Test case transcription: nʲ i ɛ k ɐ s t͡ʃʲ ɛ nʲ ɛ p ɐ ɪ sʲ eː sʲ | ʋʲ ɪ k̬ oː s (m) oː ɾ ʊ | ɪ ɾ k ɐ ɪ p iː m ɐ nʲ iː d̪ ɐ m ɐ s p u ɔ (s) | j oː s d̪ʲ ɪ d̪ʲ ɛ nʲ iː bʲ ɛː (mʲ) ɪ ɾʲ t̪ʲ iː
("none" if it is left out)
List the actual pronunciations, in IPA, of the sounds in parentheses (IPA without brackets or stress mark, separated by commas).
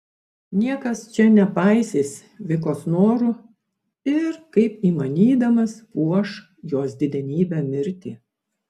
n, ʃ, mʲ